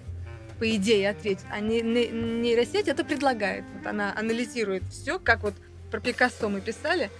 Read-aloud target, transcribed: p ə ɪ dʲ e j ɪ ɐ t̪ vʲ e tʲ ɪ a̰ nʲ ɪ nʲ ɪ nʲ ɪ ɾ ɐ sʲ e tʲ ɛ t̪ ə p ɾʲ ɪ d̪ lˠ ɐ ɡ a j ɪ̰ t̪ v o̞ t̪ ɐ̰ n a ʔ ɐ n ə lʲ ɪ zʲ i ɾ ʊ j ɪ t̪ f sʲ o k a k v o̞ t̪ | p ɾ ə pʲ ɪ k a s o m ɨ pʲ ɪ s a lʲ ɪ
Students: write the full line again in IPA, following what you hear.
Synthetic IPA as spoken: p ə ɪ dʲ e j ɪ ɐ t̪ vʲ e tʲ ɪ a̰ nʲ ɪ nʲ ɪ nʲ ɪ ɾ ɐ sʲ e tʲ ɛ t̪ ə p ɾʲ ɪ d̪ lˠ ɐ ɡ a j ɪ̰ t̪ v o̞ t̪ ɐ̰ n a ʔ ɐ n ə lʲ ɪ zʲ i ɾ ʊ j ɪ t̪ f sʲ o k a k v o̞ t̪ | p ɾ ə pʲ ɪ k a s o m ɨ pʲ ɪ s a lʲ ɪ